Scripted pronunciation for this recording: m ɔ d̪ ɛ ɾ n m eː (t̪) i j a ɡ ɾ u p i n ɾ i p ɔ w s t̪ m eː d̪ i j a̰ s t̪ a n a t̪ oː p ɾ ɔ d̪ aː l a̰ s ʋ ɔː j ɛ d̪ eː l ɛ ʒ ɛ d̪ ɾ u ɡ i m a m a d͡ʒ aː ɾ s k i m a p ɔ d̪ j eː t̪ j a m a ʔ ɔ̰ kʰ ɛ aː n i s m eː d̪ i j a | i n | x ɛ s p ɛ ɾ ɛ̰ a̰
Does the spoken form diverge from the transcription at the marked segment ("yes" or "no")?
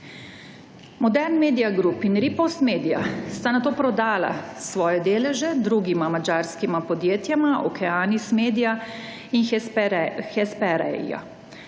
yes